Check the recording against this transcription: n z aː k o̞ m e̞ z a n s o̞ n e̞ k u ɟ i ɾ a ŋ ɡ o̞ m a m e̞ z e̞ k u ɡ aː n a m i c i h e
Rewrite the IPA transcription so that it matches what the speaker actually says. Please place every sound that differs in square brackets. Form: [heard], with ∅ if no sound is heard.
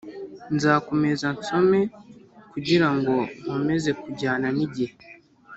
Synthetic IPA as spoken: n z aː k o̞ m e̞ z a n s o̞ [m] e̞ k u ɟ i ɾ a ŋ ɡ o̞ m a m e̞ z e̞ k u [ɟ] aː n a [n] i [ɟ] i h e

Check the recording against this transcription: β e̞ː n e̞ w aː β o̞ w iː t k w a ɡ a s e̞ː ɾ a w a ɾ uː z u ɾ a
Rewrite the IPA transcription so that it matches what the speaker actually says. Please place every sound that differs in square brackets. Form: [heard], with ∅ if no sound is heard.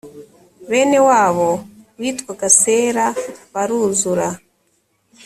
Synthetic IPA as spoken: β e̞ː n e̞ w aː β o̞ w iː t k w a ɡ a s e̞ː ɾ a [β] a ɾ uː z u ɾ a

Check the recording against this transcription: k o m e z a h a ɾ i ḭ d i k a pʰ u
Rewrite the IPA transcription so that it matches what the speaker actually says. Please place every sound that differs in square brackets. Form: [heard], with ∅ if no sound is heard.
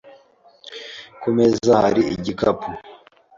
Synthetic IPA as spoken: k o m e z a h a ɾ i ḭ [ɟ] i k a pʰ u

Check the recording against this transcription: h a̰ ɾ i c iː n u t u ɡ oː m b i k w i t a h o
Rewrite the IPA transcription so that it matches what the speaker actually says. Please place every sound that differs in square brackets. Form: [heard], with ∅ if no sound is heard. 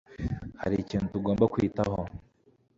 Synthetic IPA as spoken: h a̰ ɾ i c iː n u t u ɡ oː m b [a] k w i t a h o

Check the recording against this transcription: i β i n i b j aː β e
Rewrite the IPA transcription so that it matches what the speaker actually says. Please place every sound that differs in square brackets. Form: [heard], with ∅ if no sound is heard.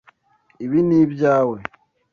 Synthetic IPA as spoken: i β i n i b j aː [w] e

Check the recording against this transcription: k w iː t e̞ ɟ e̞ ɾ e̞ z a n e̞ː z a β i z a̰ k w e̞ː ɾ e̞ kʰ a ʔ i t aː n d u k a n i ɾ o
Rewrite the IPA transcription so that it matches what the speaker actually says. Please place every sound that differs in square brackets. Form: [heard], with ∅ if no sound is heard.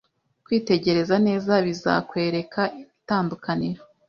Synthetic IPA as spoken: k w iː t e̞ ɟ e̞ ɾ e̞ z a n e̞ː z a β i z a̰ k w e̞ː ɾ e̞ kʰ a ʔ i t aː n d u k a n i ɾ o

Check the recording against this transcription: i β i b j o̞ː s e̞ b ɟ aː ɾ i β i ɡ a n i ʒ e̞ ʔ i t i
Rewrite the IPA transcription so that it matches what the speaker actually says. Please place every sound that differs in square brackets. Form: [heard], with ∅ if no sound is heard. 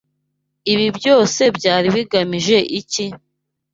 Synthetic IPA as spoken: i β i b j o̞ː s e̞ b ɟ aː ɾ i β i ɡ a [m] i ʒ e̞ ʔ i [c] i

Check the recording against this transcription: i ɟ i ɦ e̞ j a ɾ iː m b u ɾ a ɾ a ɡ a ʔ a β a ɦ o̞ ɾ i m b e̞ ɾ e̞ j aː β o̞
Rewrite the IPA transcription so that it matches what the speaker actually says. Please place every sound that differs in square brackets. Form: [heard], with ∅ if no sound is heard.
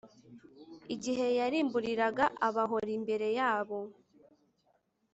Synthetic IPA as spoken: i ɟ i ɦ e̞ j a ɾ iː m b u ɾ [i] ɾ a ɡ a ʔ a β a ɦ o̞ ɾ i m b e̞ ɾ e̞ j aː β o̞

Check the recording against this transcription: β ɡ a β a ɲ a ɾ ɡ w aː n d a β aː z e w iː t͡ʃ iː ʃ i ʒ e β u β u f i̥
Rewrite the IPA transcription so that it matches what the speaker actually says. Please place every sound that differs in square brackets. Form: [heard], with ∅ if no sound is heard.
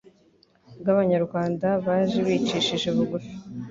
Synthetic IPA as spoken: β ɡ a β a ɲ a ɾ ɡ w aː n d a β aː [ʒ] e [β] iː t͡ʃ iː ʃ i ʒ e β u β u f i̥

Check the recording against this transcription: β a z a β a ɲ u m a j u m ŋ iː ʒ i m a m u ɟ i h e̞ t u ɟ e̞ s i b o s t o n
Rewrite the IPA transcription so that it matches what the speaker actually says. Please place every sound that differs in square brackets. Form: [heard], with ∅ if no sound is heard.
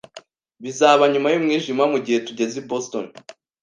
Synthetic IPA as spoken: β [i] z a β a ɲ u m a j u m ŋ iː ʒ i m a m u ɟ i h e̞ t u ɟ e̞ [z] i b o s t o n

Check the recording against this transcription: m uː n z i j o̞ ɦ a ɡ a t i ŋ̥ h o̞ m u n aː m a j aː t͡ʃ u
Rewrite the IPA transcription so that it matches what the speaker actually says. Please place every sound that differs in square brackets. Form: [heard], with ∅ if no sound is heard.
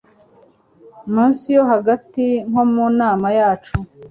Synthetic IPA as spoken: m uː n [s] i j o̞ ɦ a ɡ a t i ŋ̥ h o̞ m u n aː m a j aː t͡ʃ u

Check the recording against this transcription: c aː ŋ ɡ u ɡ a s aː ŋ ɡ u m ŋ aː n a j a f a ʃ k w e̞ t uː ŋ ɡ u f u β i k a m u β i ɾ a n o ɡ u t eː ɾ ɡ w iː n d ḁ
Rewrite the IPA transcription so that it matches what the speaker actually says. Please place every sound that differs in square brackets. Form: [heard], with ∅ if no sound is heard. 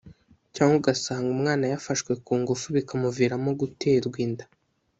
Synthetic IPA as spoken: c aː ŋ ɡ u ɡ a s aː ŋ ɡ u m ŋ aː n a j a f a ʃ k w e̞ [k] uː ŋ ɡ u f u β i k a m u [v] i ɾ a [m] o ɡ u t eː ɾ ɡ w iː n d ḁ

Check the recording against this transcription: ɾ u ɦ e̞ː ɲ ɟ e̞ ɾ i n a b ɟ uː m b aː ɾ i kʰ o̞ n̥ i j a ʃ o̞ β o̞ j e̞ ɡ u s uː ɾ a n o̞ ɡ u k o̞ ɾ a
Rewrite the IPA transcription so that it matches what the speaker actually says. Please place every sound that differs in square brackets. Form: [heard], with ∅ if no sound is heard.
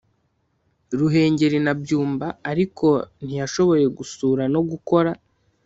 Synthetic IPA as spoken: ɾ u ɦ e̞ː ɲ ɟ e̞ ɾ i n a b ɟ uː m b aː ɾ i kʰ o̞ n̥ i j a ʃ o̞ β o̞ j e̞ ɡ u s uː ɾ a n o̞ ɡ u k o̞ ɾ a

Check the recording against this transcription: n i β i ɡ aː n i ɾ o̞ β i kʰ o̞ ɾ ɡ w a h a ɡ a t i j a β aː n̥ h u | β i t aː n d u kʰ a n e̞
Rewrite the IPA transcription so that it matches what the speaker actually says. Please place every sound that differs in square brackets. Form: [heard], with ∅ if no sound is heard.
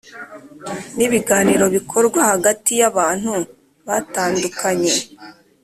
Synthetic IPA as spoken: n i β i ɡ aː n i ɾ o̞ β i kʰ o̞ ɾ ɡ w a h a ɡ a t i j a β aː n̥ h u | β [a] t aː n d u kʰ a [ɲ] e̞

